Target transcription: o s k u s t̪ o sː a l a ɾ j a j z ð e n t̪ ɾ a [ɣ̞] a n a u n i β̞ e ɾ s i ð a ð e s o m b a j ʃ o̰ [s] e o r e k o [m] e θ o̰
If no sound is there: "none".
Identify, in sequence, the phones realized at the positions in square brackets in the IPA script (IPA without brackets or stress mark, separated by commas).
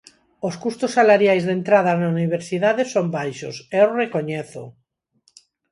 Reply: ð̞, s, ɲ